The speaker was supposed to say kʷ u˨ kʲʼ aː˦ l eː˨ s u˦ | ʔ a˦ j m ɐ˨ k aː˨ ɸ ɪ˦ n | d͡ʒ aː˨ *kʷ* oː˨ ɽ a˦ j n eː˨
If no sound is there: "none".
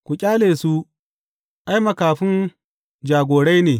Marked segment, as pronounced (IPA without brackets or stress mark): ɡʷ